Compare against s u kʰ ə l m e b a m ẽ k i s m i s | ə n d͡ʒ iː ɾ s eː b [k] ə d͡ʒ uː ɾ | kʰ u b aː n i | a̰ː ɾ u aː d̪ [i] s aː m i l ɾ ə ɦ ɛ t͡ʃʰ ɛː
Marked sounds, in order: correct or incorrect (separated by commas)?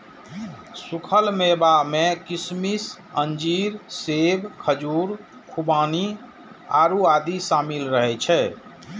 incorrect, correct